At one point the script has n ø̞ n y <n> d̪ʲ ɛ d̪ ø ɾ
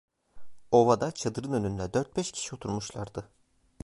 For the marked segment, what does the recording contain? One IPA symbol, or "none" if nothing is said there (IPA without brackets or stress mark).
n